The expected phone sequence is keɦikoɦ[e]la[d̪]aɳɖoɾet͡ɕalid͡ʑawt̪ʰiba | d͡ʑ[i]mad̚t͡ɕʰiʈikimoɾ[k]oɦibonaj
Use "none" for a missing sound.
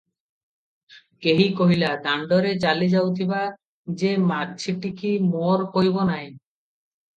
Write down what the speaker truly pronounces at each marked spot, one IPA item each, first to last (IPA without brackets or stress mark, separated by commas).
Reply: i, d̪, e, k